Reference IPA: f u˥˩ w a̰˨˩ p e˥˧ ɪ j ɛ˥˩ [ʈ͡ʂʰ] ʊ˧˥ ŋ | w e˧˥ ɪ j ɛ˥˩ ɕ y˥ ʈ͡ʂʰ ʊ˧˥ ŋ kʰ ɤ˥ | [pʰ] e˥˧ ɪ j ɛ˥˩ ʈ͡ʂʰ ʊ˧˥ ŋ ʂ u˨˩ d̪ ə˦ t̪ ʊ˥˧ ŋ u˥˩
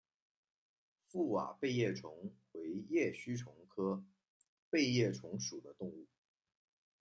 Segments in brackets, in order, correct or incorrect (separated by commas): correct, incorrect